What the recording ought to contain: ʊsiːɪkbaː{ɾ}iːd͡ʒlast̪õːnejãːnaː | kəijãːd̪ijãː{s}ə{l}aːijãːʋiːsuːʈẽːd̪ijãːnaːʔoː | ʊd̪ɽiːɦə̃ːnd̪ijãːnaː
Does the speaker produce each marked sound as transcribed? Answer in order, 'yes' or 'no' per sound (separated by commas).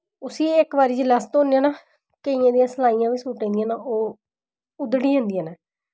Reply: yes, yes, yes